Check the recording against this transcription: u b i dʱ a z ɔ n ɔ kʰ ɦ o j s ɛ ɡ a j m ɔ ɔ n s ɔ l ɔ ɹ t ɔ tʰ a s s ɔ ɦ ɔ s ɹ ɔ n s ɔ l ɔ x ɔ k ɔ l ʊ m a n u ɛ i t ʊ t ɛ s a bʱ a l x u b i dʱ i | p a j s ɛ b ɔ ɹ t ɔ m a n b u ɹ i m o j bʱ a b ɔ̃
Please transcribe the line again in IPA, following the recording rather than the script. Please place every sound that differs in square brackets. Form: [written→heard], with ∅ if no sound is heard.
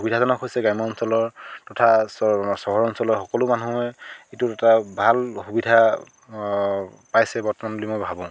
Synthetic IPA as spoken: u b i dʱ a z ɔ n ɔ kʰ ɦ o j s ɛ ɡ a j m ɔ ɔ n s ɔ l ɔ ɹ t ɔ tʰ a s s ɔ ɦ ɔ [s→∅] ɹ ɔ n s ɔ l ɔ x ɔ k ɔ l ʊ m a n u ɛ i t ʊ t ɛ [s→t] a bʱ a l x u b i dʱ [i→a] | p a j s ɛ b ɔ ɹ t ɔ m a n b u [ɹ→l] i m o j bʱ a b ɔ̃